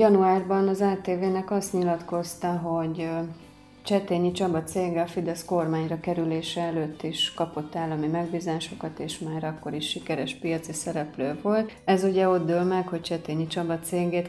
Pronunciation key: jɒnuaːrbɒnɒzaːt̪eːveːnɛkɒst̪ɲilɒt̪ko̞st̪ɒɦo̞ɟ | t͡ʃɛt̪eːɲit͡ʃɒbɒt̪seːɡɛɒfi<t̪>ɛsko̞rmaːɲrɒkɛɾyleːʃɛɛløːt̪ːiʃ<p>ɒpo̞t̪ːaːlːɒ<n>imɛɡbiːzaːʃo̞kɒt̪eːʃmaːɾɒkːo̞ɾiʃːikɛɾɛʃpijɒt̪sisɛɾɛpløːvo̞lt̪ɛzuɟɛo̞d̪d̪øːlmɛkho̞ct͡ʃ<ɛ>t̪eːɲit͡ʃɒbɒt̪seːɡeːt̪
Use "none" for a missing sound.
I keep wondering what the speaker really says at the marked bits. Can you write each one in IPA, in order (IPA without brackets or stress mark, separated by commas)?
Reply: d̪, k, m, ɛ